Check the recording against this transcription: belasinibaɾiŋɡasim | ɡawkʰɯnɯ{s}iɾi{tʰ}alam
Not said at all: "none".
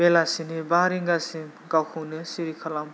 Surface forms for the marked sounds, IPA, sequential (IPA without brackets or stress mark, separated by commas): s, kʰ